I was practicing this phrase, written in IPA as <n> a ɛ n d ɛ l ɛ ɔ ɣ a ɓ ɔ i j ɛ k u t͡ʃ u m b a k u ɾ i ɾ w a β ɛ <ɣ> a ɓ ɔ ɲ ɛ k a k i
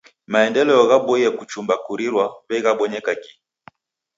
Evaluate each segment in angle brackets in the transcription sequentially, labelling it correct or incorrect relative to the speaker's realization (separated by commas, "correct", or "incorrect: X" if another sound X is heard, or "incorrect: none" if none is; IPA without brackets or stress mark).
incorrect: m, correct